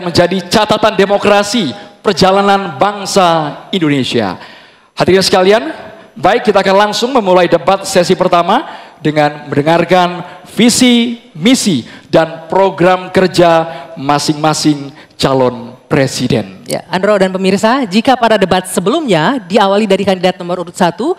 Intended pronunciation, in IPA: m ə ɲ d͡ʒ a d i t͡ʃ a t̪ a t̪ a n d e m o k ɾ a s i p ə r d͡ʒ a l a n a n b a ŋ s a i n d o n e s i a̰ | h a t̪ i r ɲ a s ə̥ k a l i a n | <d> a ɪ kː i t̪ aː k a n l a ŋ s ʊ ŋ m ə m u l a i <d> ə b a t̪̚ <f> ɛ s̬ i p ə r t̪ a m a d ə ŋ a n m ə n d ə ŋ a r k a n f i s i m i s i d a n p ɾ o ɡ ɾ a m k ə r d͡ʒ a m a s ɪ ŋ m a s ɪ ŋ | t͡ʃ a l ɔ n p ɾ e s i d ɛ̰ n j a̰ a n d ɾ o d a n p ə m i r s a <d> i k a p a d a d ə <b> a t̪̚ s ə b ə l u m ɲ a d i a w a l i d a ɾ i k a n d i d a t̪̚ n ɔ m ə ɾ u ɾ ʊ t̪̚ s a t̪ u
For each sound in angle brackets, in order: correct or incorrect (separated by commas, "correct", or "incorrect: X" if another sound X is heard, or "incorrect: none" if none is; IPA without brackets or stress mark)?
incorrect: b, correct, incorrect: s, incorrect: d͡ʒ, correct